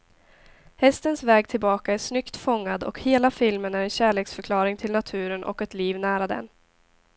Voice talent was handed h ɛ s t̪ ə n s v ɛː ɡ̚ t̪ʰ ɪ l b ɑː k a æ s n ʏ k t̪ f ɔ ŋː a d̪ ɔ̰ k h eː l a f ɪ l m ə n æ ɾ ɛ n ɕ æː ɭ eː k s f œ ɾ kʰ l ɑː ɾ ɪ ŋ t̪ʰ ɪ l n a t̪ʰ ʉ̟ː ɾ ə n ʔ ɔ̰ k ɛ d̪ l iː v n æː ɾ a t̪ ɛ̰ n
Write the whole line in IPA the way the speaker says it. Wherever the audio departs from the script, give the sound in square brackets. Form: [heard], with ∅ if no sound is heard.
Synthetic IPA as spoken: h ɛ s t̪ ə n s v ɛː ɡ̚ t̪ʰ ɪ l b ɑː k a æ [ʂ] n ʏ k t̪ f ɔ ŋː a d̪ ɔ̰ k h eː l a f ɪ l m ə n æ ɾ ɛ n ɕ æː ɭ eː k s f œ ɾ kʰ l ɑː ɾ ɪ ŋ t̪ʰ ɪ l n a t̪ʰ ʉ̟ː ɾ ə n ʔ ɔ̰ k ɛ [t̪] l iː v n æː ɾ a [d̪] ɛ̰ n